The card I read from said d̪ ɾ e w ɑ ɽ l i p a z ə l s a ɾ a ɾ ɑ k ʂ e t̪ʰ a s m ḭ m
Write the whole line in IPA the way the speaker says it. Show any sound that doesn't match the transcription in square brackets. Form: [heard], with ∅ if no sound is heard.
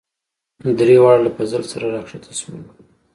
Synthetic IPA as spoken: d̪ ɾ e w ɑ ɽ l [a] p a z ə l s a ɾ a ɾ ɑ k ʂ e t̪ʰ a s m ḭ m